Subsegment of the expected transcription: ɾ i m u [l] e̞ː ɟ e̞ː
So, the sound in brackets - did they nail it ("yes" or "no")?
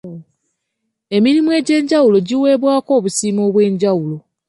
no